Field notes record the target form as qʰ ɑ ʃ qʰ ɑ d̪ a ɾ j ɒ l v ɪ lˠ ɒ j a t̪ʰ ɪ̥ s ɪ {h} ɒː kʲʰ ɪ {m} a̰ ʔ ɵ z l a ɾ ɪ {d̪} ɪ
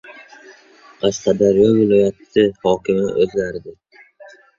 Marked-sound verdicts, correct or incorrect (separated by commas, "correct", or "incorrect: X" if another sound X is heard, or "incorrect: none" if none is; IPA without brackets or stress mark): correct, correct, correct